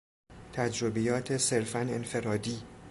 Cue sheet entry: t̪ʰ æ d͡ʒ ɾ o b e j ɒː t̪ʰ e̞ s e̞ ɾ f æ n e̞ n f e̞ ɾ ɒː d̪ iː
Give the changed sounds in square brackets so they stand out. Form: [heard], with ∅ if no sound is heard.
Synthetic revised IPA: t̪ʰ æ d͡ʒ ɾ o b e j ɒː t̪ʰ e̞ s e̞ ɾ f æ n e̞ n f e̞ ɾ ɒː d̪ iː